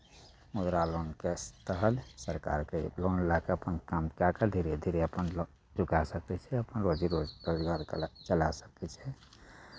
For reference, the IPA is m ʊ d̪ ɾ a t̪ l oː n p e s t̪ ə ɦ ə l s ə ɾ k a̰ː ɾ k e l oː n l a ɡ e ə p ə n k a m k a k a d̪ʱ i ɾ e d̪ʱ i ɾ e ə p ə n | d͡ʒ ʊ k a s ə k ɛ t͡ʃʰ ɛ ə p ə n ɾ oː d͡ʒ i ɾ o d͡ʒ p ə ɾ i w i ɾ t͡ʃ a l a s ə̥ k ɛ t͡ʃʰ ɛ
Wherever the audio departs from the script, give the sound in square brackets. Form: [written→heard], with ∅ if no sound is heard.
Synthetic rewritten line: m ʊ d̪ ɾ a [t̪→∅] l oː n [p→k] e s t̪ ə ɦ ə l s ə ɾ k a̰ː ɾ k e l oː n l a [ɡ→k] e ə p ə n k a m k a k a d̪ʱ i ɾ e d̪ʱ i ɾ e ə p ə n | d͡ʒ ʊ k a s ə k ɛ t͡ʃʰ ɛ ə p ə n ɾ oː d͡ʒ i ɾ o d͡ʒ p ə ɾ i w [i→a] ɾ t͡ʃ [a→ə] l a s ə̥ k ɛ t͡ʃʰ ɛ